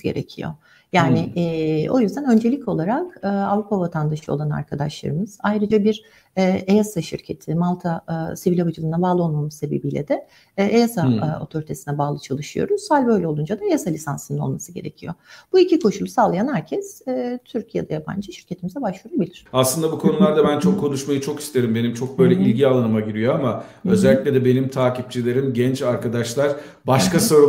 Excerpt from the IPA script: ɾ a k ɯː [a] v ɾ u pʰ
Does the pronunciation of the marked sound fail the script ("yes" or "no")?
no